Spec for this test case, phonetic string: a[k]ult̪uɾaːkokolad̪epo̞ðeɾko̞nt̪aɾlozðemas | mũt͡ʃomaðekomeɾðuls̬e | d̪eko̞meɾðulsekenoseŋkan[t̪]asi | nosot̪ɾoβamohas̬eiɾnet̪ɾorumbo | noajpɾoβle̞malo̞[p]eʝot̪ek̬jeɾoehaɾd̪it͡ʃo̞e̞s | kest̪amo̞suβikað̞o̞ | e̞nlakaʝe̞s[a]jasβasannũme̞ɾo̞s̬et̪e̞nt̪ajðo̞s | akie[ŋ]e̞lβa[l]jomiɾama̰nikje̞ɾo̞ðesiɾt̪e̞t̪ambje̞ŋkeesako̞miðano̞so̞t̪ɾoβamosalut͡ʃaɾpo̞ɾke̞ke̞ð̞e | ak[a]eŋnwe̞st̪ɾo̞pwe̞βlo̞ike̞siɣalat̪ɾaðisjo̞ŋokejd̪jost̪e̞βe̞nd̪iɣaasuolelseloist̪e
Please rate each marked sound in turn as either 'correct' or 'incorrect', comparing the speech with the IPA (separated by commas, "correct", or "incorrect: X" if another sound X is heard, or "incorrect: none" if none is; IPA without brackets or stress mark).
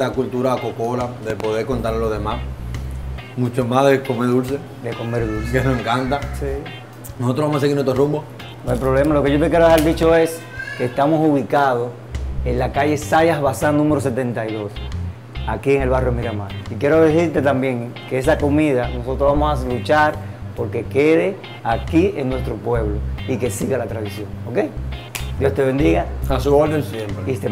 correct, correct, incorrect: k, correct, correct, incorrect: r, incorrect: i